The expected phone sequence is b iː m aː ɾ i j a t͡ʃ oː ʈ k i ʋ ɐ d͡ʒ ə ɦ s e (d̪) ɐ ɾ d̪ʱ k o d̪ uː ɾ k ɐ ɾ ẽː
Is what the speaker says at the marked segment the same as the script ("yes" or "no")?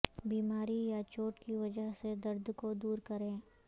yes